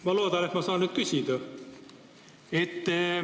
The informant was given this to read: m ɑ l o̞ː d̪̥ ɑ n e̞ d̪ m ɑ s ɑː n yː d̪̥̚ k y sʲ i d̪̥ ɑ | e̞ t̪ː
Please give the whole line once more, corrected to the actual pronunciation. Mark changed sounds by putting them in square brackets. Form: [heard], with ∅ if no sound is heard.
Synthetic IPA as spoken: m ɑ l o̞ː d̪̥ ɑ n e̞ [t̪] m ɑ s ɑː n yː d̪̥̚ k y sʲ i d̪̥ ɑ | e̞ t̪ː

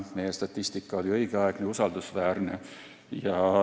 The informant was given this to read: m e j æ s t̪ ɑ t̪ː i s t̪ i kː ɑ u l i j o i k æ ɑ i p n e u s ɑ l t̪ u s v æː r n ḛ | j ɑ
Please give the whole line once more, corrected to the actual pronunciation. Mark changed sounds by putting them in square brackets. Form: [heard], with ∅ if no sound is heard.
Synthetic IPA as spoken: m e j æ s t̪ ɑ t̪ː i s t̪ i kː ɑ [o] l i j o i k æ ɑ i [k] n e u s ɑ l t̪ u s [ʋ] æː r n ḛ | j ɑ

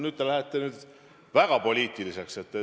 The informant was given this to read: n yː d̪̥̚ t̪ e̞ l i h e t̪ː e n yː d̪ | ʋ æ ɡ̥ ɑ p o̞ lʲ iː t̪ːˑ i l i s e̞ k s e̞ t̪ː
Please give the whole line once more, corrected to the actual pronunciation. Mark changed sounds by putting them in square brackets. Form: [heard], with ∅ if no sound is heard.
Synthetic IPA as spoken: n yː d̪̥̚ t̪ e̞ l [æ] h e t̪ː e n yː d̪ | [v] æ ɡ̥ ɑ p o̞ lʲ iː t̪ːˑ i l i s e̞ k s e̞ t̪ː

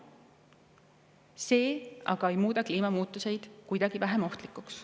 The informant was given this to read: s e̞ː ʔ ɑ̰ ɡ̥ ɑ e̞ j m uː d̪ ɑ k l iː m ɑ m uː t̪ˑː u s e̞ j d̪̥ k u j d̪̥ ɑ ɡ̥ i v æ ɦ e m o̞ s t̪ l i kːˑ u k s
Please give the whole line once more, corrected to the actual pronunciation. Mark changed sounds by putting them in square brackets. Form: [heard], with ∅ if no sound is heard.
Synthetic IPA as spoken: s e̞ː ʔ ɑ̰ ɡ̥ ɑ e̞ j m uː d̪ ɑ k l iː m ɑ m uː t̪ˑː u s e̞ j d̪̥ k u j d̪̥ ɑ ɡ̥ i v æ ɦ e m o̞ [h] t̪ l i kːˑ u k s

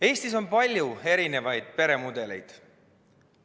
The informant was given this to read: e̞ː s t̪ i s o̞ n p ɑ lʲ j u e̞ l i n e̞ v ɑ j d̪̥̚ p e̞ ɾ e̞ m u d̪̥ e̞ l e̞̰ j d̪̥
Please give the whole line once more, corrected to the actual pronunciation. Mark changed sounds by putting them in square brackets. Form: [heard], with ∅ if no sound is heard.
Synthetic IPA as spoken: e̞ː s t̪ i s o̞ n p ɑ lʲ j u e̞ [ɾ] i n e̞ v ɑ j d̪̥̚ p e̞ ɾ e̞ m u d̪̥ e̞ l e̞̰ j d̪̥

